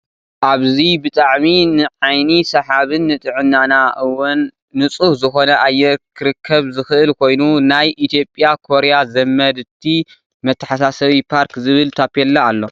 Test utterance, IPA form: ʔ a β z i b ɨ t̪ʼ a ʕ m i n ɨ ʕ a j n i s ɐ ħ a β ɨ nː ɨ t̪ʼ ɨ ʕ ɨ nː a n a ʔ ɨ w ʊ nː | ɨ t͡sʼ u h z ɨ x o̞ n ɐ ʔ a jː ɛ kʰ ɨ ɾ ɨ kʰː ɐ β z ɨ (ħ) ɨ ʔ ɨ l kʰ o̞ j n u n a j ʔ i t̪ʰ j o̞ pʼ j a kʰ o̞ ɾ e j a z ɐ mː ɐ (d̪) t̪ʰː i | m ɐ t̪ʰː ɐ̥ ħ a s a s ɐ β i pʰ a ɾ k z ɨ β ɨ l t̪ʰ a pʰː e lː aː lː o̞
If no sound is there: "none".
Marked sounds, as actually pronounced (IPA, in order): x, d̪

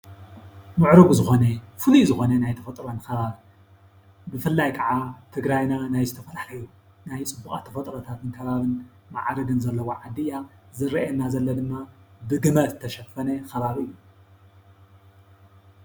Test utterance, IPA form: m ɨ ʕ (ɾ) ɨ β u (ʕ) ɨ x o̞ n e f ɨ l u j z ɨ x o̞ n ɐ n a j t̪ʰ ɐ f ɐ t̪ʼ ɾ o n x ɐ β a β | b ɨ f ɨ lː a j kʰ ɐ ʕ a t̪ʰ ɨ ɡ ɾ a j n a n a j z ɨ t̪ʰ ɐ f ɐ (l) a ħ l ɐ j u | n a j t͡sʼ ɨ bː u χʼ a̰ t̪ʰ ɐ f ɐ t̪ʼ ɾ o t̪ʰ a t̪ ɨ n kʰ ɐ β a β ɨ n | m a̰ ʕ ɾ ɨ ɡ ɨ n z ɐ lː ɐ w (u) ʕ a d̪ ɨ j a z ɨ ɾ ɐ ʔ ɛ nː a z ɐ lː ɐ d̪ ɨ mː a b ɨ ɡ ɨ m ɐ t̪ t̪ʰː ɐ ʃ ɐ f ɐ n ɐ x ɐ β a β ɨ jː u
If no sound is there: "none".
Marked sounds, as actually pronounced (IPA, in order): ɾ, z, l, o

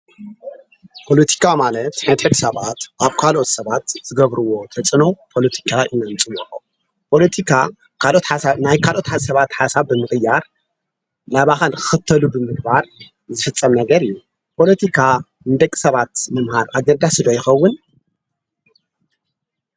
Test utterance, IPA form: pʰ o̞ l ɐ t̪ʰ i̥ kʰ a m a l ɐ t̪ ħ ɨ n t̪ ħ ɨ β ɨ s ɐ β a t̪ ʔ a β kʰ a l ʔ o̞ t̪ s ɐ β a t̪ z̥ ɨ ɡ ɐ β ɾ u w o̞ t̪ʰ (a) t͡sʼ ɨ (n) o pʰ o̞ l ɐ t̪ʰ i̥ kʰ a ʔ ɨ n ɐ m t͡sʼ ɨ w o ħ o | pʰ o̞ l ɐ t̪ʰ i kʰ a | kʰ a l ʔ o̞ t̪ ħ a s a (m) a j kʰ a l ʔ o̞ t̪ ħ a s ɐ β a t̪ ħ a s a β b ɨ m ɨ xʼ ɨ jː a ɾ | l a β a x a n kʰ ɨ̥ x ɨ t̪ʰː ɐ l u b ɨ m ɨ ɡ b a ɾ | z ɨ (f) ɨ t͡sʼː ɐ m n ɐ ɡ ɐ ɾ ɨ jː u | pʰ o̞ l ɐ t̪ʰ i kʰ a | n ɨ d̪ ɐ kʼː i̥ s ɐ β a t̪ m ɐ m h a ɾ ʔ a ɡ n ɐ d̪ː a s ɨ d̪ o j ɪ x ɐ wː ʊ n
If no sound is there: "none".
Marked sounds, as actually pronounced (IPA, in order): ɐ, n, n, f

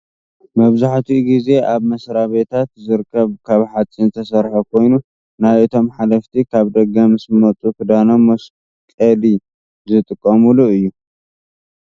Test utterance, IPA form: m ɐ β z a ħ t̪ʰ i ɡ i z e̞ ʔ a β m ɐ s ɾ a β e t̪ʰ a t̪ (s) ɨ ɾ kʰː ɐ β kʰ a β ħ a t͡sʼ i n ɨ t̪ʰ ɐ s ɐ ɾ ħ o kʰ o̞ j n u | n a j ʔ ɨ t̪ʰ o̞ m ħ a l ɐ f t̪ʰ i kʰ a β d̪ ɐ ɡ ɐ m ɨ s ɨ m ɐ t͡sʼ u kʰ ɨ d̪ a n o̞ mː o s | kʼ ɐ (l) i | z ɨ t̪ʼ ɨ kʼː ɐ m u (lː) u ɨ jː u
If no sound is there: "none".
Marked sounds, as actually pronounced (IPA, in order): z, l, l

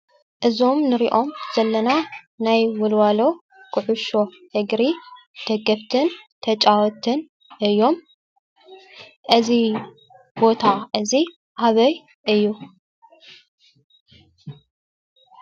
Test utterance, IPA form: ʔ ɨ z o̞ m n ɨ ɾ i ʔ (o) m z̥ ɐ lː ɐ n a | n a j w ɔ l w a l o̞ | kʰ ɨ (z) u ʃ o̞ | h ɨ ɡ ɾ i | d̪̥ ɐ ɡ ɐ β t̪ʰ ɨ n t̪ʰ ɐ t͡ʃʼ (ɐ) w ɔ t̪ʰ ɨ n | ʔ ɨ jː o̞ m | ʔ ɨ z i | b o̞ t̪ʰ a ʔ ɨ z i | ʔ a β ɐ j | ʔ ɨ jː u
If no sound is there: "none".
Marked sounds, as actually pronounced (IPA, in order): o, ʕ, a

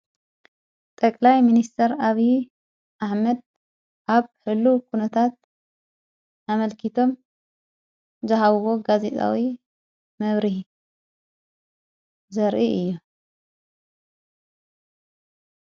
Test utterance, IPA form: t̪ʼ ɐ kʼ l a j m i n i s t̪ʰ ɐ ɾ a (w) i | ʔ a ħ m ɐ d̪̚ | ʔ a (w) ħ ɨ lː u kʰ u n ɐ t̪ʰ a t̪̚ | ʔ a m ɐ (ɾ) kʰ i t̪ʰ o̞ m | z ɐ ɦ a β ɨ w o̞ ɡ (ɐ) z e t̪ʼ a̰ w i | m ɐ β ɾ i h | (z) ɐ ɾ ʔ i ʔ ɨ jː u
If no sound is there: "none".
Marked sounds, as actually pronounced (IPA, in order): β, β, l, a, z

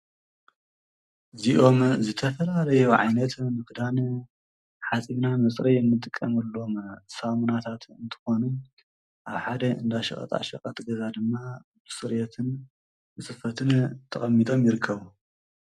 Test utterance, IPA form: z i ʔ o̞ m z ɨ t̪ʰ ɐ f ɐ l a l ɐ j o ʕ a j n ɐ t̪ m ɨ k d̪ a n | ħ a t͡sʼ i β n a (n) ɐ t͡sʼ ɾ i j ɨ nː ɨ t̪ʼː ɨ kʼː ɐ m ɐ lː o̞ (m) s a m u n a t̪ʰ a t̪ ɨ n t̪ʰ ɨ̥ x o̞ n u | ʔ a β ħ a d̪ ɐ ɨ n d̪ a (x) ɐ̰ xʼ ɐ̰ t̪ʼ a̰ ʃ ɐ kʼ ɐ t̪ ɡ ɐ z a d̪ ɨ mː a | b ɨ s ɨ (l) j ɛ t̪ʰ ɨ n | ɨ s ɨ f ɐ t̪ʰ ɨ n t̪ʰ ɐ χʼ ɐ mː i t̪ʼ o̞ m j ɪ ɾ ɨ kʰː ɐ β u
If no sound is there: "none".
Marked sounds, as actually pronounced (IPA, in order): m, m, ʃ, ɾ

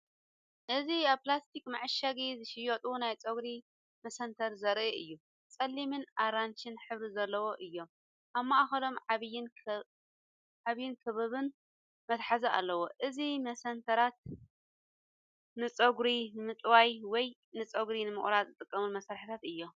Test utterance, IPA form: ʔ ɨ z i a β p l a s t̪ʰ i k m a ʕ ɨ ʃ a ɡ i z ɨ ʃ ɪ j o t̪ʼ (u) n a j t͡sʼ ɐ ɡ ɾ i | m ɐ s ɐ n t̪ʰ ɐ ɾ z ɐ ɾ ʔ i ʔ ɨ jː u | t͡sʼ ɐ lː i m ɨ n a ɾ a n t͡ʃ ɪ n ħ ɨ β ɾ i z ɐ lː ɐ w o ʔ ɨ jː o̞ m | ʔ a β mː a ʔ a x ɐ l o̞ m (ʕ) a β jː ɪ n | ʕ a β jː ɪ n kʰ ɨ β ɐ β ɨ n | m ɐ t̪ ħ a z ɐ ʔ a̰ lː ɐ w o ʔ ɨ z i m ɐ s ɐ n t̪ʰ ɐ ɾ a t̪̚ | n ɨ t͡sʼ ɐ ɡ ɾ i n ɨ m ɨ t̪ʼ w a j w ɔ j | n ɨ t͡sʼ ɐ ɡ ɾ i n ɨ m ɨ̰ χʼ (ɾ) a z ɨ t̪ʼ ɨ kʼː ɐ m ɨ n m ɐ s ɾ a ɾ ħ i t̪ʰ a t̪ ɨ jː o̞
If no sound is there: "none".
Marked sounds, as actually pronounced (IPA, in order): u, ʕ, ɾ

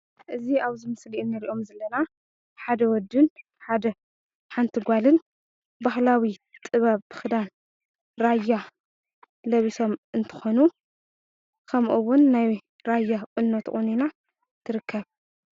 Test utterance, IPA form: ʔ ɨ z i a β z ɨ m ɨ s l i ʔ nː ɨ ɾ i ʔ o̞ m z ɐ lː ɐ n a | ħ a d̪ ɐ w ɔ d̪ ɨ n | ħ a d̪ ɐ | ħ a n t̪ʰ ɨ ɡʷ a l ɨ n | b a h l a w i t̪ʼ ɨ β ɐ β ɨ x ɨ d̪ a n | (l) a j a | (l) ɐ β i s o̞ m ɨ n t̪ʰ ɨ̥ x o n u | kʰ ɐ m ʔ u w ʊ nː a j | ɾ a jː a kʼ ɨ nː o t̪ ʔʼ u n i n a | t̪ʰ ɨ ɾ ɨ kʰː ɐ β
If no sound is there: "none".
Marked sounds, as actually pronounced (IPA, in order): ɾ, l

